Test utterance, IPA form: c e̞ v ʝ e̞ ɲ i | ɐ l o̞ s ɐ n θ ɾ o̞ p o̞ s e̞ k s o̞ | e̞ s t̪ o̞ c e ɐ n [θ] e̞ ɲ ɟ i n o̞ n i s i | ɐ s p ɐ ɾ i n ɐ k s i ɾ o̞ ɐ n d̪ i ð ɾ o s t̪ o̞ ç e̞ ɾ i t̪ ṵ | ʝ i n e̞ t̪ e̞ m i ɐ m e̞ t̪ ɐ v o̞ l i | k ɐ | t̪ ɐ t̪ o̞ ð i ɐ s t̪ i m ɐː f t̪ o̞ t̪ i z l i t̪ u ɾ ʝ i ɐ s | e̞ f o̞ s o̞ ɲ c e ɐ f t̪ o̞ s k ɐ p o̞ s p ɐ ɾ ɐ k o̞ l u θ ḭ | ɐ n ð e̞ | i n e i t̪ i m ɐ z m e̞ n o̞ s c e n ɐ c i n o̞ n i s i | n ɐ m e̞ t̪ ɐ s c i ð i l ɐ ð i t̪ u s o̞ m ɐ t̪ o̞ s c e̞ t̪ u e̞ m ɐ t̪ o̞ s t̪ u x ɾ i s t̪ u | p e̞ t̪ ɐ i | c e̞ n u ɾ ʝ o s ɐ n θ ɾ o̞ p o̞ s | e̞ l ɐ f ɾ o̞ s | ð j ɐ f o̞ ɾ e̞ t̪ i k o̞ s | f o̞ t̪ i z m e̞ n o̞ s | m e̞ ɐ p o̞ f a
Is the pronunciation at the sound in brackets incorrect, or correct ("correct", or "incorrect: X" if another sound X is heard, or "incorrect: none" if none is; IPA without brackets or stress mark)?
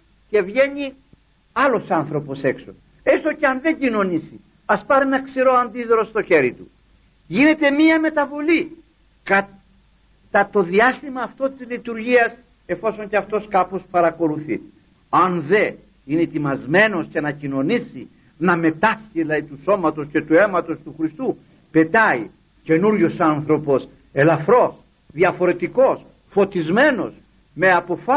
incorrect: ð